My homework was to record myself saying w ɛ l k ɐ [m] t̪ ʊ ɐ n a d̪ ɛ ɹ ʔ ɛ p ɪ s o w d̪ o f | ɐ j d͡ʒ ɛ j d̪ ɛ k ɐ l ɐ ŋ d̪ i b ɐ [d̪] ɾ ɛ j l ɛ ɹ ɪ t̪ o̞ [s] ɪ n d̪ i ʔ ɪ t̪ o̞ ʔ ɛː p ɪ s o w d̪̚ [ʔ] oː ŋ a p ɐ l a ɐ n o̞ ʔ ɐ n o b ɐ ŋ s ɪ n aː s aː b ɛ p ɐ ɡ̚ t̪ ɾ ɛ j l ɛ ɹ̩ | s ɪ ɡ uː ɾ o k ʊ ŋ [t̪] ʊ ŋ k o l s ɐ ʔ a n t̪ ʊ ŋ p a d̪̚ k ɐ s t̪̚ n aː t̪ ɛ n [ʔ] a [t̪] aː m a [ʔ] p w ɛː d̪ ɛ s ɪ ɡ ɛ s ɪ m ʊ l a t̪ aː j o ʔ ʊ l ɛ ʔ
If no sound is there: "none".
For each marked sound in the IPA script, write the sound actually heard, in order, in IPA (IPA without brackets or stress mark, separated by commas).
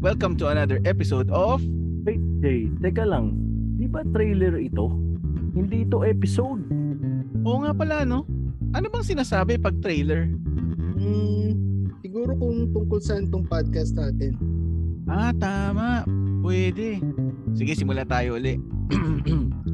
m, t̪, h, ʔ, t̪, ʔ, t̪, ʔ